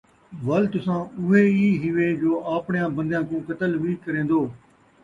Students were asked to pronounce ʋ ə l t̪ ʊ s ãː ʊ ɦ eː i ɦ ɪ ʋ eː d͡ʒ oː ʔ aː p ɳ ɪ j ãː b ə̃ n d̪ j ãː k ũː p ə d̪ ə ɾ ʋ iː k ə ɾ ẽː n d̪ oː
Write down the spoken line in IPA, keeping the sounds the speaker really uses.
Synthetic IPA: ʋ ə l t̪ ʊ s ãː ʊ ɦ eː iː ɦ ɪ ʋ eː d͡ʒ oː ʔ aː p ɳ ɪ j ãː b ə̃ n d̪ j ãː k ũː k ə t̪ ə l ʋ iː k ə ɾ ẽː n d̪ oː